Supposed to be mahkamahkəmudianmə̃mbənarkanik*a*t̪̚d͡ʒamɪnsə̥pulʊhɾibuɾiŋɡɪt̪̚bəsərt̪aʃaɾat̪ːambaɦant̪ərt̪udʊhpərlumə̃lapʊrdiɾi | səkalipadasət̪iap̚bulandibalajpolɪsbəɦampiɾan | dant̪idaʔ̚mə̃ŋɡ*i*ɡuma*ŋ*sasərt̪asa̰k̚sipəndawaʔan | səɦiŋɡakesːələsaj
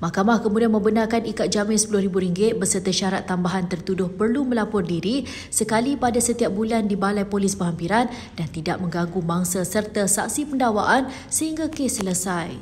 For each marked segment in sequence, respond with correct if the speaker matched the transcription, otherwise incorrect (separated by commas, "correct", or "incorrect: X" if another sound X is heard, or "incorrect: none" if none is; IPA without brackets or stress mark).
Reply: correct, incorrect: a, correct